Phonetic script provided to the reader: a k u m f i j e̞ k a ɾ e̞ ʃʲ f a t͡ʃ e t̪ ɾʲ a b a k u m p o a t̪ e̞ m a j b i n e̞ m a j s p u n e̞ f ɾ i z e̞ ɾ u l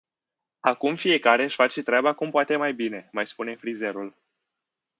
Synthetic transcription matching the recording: a k u m f i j e̞ k a ɾ e̞ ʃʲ f a t͡ʃ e t̪ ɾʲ a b a k u m p o a t̪ e̞ m a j b i n e̞ m a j s p u n e̞ f ɾ i z e̞ ɾ u l